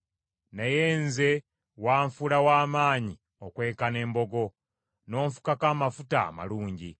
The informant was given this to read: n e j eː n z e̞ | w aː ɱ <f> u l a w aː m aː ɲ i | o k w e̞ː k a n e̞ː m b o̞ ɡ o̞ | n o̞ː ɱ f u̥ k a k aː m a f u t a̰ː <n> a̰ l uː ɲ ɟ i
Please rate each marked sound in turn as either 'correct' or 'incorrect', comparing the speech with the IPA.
correct, incorrect: m

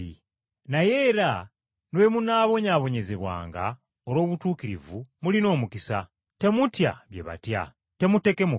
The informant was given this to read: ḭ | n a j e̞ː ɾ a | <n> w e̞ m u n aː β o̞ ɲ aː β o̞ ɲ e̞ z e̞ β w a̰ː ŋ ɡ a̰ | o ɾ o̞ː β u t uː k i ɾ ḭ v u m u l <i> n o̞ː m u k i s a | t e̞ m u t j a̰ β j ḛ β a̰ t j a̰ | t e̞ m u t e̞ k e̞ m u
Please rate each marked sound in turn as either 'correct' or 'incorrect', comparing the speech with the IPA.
correct, correct

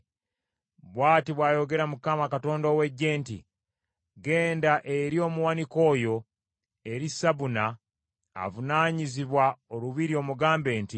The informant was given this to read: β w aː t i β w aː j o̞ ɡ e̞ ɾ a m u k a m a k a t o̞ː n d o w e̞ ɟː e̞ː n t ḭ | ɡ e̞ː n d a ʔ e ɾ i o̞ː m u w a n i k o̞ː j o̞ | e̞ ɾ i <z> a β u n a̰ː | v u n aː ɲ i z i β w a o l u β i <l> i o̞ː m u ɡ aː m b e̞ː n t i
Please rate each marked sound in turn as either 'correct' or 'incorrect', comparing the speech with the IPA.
incorrect: s, incorrect: ɾ

